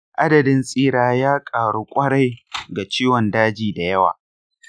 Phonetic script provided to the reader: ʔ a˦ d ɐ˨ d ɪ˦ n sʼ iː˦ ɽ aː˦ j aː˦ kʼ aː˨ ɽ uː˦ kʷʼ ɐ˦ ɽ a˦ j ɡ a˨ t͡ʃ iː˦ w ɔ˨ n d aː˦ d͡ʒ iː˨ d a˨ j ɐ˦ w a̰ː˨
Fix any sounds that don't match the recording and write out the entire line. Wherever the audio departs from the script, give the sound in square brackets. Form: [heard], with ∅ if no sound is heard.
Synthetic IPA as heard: ʔ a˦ d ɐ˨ d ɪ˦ n sʼ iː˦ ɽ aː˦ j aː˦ kʼ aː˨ ɽ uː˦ kʷʼ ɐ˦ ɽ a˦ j ɡ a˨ t͡ʃ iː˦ w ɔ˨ n d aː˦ d͡ʒ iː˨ d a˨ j ɐ˦ w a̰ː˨